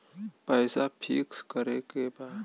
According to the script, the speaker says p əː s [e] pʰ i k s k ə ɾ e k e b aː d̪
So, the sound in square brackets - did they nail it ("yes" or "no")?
no